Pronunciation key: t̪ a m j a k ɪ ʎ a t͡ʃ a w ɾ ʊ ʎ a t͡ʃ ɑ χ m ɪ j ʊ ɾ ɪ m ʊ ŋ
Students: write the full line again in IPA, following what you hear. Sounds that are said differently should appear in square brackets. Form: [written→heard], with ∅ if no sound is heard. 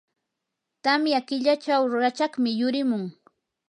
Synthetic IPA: t̪ a m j a k ɪ ʎ a t͡ʃ a w ɾ ʊ [ʎ→ɾ] a t͡ʃ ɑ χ m ɪ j ʊ ɾ ɪ m ʊ ŋ